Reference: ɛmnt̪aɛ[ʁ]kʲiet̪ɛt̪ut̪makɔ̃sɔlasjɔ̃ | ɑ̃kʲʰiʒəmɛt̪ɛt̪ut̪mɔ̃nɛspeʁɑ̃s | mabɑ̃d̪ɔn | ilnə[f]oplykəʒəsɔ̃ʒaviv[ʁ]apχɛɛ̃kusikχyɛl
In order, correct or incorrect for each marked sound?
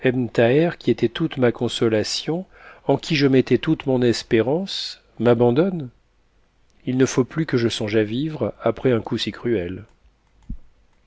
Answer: correct, correct, correct

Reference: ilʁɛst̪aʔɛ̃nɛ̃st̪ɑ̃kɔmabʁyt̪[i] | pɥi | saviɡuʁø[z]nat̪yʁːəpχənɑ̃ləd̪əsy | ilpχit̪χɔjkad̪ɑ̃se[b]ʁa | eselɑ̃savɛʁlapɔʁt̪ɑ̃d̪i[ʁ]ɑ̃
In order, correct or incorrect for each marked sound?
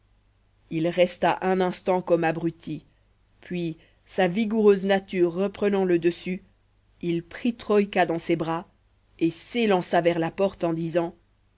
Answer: correct, correct, correct, incorrect

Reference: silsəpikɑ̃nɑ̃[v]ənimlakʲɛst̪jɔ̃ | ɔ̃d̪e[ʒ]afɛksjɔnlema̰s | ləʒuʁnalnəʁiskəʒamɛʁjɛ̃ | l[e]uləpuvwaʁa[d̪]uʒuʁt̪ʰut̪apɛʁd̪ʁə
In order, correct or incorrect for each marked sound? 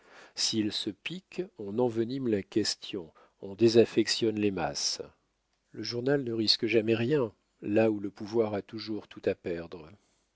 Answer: correct, incorrect, incorrect, incorrect

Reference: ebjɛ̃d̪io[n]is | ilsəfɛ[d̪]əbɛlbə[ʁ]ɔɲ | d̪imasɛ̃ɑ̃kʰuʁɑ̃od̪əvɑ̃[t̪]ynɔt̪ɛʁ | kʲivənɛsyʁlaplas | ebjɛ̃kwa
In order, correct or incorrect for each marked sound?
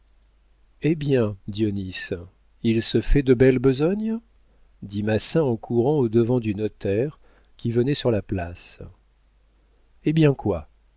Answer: correct, correct, incorrect, incorrect

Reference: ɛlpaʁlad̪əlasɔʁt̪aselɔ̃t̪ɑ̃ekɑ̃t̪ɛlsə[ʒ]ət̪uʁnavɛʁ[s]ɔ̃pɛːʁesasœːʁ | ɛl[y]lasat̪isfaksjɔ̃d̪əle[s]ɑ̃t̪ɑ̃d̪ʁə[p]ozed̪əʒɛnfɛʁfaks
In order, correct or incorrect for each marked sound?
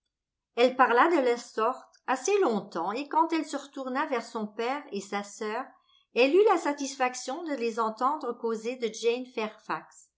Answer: incorrect, correct, correct, incorrect, incorrect

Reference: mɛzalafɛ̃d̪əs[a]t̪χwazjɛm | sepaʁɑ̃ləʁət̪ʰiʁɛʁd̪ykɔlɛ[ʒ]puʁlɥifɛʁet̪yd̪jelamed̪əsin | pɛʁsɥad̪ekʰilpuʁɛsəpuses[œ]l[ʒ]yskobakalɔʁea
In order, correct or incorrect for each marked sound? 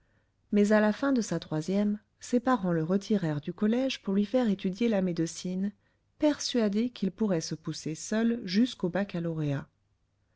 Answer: correct, correct, correct, correct

